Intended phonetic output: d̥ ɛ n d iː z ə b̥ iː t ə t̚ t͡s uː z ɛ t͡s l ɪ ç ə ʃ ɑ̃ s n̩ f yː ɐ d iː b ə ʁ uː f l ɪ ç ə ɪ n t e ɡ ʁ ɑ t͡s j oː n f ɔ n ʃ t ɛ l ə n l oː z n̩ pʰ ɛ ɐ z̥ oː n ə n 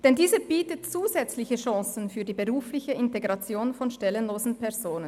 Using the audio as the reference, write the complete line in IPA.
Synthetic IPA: d̥ ɛ n d iː z ə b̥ iː t ə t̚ t͡s uː z ɛ t͡s l ɪ ç ə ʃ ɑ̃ s n̩ f yː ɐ d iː b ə ʁ uː f l ɪ ç ə ɪ n t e ɡ ʁ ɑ t͡s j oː n f ɔ n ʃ t ɛ l ə n l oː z n̩ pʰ ɛ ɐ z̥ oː n ə n